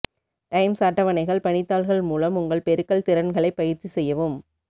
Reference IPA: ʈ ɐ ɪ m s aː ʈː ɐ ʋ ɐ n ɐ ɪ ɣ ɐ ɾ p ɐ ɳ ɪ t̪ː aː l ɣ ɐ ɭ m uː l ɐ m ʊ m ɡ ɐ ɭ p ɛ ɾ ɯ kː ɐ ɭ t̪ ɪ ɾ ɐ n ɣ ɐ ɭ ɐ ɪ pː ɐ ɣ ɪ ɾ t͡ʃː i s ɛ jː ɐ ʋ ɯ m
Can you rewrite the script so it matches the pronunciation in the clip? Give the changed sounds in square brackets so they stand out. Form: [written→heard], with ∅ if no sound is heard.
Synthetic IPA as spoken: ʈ ɐ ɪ m s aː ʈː ɐ ʋ ɐ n ɐ ɪ ɣ ɐ [ɾ→ɭ] p ɐ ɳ ɪ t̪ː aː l ɣ ɐ ɭ m uː l ɐ m ʊ [m→ŋ] ɡ ɐ ɭ p ɛ ɾ ɯ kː ɐ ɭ t̪ ɪ ɾ ɐ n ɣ ɐ ɭ ɐ ɪ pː ɐ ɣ ɪ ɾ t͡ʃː i s ɛ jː ɐ ʋ ɯ m